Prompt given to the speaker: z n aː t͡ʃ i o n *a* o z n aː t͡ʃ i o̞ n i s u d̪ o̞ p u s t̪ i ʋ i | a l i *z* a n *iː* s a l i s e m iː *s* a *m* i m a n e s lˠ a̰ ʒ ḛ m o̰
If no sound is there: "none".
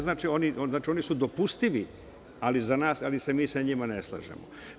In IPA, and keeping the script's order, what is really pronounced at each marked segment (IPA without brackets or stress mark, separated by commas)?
i, z, aː, s, ɲ